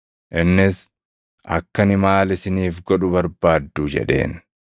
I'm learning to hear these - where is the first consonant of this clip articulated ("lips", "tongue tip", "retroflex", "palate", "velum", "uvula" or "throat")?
throat